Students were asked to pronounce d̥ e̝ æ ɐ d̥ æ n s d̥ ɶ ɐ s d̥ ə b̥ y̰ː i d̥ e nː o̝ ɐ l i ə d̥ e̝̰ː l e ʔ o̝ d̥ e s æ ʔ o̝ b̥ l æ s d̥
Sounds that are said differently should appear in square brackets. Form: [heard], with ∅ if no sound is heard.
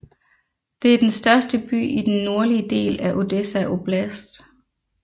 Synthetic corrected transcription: d̥ e̝ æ ɐ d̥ [e] n s d̥ ɶ ɐ s d̥ ə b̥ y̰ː i d̥ e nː o̝ ɐ l i ə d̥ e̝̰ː l [æ] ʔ o̝ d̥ e s æ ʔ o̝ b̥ l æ s d̥